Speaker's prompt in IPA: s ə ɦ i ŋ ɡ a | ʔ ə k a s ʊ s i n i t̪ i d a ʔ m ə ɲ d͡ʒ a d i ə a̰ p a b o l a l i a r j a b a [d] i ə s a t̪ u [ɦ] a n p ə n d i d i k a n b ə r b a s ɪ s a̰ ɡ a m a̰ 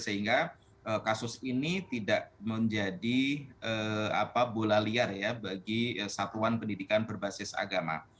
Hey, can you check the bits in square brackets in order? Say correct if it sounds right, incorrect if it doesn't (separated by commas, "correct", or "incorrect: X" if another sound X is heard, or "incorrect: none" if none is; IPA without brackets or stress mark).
incorrect: ɡ, incorrect: none